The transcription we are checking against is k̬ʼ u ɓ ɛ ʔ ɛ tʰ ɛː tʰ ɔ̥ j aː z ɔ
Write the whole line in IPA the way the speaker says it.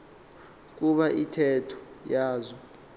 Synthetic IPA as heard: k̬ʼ u ɓ a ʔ i tʰ ɛ tʰ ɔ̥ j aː z ɔ